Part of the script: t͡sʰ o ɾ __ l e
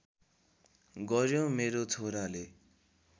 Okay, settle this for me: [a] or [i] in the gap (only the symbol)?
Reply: a